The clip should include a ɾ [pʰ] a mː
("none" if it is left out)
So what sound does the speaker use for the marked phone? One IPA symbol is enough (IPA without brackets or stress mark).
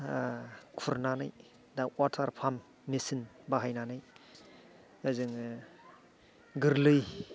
pʰ